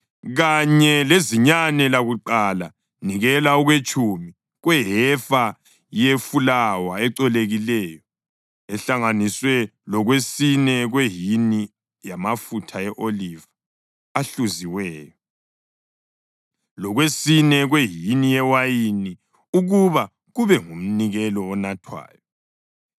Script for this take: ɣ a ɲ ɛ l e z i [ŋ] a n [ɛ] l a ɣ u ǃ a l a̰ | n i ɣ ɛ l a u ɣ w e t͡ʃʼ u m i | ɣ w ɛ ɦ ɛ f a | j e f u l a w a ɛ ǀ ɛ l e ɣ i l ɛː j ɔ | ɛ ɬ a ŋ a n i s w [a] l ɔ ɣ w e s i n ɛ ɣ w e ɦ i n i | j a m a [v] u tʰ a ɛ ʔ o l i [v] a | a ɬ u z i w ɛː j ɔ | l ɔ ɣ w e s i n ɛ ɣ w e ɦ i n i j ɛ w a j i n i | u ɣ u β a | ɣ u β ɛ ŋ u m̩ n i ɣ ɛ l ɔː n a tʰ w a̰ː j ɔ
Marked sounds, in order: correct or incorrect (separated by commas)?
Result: incorrect, correct, incorrect, incorrect, correct